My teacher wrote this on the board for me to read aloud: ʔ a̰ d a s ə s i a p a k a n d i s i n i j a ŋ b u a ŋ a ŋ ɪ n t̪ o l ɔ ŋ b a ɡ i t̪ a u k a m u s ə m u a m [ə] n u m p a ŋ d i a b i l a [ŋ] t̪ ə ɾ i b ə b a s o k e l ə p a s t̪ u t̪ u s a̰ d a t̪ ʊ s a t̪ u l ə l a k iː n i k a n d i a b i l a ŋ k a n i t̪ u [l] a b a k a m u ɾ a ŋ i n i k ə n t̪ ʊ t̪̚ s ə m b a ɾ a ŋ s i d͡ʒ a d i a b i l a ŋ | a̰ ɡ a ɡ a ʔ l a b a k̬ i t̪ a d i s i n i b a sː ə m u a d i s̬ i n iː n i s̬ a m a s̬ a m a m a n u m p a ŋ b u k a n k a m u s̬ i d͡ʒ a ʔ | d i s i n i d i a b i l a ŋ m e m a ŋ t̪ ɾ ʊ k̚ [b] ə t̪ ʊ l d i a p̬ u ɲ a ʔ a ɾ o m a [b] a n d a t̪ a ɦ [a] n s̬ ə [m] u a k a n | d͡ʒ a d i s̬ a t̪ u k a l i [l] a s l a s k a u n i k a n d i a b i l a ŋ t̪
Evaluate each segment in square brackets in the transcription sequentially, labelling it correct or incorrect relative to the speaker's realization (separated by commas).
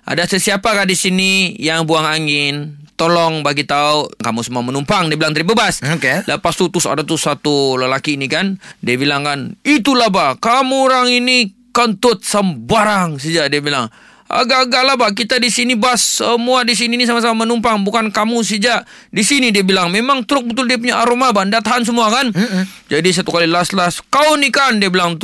correct, correct, correct, correct, correct, correct, correct, correct